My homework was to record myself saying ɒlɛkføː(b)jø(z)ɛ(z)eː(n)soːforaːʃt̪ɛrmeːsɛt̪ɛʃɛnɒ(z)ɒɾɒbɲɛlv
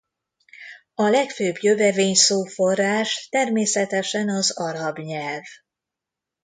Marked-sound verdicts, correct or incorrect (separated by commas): correct, incorrect, incorrect, incorrect, correct